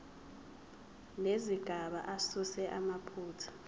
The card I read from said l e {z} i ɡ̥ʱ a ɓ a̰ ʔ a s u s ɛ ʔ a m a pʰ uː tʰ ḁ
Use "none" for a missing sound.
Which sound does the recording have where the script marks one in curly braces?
z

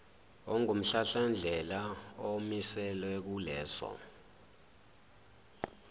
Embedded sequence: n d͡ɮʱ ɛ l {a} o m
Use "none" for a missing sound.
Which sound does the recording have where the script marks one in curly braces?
a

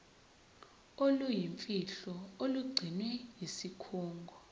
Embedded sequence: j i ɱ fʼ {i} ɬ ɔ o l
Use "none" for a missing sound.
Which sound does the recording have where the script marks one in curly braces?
i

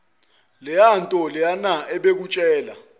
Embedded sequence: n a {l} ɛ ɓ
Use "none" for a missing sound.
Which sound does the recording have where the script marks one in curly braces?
none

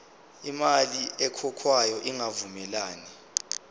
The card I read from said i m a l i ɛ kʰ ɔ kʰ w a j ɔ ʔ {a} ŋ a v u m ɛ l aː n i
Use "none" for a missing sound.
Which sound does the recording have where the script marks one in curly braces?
i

